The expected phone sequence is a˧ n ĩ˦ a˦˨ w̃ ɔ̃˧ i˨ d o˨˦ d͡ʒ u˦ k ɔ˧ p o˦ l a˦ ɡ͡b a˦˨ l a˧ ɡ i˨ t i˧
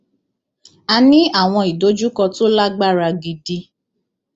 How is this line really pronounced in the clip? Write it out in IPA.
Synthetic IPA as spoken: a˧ n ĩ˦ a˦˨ w̃ ɔ̃˧ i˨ d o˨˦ d͡ʒ u˦ k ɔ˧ t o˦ l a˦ ɡ͡b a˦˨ ɾ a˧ ɡ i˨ d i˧